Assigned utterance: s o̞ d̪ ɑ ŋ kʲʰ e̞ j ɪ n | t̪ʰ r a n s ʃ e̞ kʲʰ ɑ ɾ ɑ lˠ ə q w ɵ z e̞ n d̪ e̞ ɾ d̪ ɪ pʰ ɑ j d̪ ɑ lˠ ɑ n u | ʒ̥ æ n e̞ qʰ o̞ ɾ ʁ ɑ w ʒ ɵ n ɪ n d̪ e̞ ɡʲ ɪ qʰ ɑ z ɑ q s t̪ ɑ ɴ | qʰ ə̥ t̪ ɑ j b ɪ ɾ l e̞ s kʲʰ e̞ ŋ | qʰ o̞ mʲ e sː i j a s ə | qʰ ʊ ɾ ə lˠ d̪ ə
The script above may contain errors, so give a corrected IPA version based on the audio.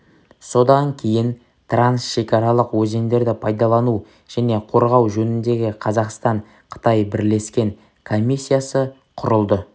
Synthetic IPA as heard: s o̞ d̪ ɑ ŋ kʲʰ e̞ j ɪ n | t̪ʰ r a n s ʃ e̞ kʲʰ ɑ ɾ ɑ lˠ ə q w ɵ z e̞ n d̪ e̞ ɾ d̪ ɪ pʰ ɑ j d̪ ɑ lˠ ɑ n u | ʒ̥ æ n e̞ qʰ o̞ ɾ ʁ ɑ w ʒ ɵ n ɪ n d̪ e̞ ɡʲ ɪ qʰ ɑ z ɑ q s t̪ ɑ ɴ | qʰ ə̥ t̪ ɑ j b ɪ ɾ l e̞ s kʲ e̞ ŋ | kʰ o̞ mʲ i sː i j a s ə | qʰ ʊ ɾ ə lˠ d̪ ə